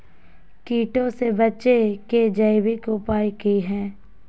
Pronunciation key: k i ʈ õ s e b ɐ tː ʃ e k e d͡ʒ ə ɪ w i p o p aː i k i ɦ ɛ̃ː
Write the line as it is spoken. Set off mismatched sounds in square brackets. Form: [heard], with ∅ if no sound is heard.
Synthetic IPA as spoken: k [iː] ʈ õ s e b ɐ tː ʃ e k e d͡ʒ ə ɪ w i [k] o p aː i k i ɦ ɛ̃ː